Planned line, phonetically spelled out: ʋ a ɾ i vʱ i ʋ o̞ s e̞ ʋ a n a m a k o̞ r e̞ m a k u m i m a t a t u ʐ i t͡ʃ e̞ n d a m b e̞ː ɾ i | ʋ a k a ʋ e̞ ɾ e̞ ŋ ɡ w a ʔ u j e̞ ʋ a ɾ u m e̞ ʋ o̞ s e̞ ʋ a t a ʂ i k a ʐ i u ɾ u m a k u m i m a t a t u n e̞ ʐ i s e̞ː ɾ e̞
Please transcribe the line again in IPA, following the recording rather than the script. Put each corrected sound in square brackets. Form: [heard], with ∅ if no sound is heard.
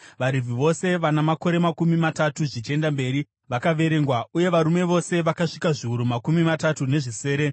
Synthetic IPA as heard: ʋ a ɾ i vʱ i ʋ o̞ s e̞ ʋ a n a m a k o̞ [ɾ] e̞ m a k u m i m a t a t u ʐ i t͡ʃ e̞ n d a m b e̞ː ɾ i | ʋ a k a ʋ e̞ ɾ e̞ ŋ ɡ w a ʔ u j e̞ ʋ a ɾ u m e̞ ʋ o̞ s e̞ ʋ a [k] a ʂ i k a ʐ i u ɾ u m a k u m i m a t a t u n e̞ ʐ i s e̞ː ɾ e̞